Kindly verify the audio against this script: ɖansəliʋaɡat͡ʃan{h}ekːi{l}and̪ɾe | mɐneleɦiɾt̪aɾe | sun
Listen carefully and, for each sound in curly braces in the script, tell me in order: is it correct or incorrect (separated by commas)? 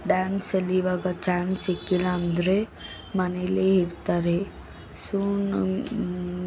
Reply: incorrect, correct